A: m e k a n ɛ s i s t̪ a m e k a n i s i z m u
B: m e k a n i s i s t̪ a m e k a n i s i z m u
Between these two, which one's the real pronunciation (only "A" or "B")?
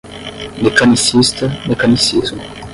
B